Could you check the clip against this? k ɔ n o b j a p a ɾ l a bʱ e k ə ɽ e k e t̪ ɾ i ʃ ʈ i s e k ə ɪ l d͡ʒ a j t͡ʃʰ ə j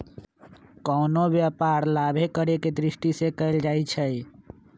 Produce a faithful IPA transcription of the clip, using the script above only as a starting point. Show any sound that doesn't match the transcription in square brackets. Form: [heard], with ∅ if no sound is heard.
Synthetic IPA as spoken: k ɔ n o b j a p a ɾ l a bʱ e k ə [ɾ] e k e [d̪] ɾ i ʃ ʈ i s e k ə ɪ l d͡ʒ a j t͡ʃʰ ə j